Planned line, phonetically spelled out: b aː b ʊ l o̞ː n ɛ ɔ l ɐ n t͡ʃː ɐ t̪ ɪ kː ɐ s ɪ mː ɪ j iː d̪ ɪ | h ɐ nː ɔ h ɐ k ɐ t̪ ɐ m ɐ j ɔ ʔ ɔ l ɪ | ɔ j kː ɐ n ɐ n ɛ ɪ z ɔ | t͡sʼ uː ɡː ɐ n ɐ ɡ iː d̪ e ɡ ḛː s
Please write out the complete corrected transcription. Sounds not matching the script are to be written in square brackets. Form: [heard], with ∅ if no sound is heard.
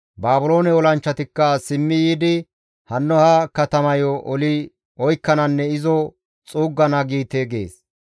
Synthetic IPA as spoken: b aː b ʊ l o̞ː n ɛ ɔ l ɐ n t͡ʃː ɐ t̪ ɪ kː ɐ s ɪ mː ɪ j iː d̪ ɪ | h ɐ nː ɔ h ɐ k ɐ t̪ ɐ m ɐ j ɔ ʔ ɔ l ɪ | ɔ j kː ɐ n ɐ [nː] ɛ ɪ z ɔ | t͡sʼ uː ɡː ɐ n ɐ ɡ iː [t̪] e ɡ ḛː s